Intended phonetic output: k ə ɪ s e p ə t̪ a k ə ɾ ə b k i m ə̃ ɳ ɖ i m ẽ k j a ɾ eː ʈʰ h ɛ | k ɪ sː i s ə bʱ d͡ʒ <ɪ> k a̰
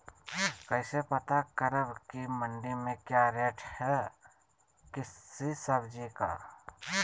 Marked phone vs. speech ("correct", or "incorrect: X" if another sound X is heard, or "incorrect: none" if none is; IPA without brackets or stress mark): incorrect: i